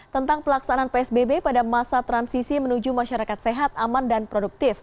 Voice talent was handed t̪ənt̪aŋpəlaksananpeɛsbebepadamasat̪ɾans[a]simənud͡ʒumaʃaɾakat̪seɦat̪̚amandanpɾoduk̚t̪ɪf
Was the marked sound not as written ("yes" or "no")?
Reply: yes